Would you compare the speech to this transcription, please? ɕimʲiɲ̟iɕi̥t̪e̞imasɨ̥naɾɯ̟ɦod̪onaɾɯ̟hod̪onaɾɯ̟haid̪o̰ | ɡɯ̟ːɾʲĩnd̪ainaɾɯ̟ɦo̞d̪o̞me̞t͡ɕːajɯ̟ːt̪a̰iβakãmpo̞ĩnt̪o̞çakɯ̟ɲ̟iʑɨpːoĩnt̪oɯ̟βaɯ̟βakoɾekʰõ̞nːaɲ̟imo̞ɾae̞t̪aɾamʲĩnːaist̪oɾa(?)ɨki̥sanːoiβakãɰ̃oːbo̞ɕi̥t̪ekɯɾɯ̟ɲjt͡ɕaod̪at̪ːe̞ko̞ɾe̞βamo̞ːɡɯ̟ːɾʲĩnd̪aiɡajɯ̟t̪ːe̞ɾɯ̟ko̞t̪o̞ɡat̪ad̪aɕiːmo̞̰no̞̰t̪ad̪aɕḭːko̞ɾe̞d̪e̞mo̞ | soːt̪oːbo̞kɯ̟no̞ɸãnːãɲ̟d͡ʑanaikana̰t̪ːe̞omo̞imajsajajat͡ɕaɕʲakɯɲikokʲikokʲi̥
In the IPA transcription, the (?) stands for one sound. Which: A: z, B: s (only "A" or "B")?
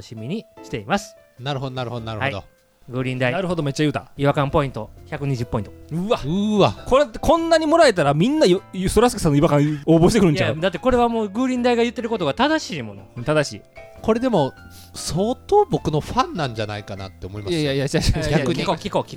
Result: B